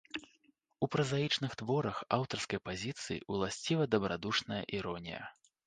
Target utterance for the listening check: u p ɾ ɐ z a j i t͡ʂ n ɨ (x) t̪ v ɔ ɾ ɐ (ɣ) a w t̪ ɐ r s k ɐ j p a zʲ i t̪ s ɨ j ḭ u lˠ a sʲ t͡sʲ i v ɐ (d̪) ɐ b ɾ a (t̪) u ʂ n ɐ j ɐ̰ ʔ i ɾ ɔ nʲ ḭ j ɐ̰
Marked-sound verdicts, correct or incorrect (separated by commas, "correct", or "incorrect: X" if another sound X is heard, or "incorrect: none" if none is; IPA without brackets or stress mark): correct, incorrect: x, correct, incorrect: d̪